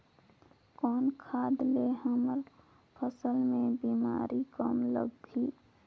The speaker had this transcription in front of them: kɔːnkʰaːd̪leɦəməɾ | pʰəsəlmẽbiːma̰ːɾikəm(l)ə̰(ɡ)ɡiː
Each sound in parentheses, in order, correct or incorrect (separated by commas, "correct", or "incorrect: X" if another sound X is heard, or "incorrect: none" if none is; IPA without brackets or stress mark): correct, correct